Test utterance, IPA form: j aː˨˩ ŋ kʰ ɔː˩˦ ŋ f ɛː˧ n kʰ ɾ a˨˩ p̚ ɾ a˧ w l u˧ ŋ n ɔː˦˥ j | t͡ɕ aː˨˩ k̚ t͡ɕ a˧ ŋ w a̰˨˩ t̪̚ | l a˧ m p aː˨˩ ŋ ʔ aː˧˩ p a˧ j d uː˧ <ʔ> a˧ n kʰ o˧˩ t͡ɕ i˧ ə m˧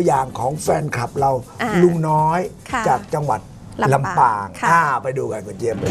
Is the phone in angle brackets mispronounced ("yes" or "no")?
yes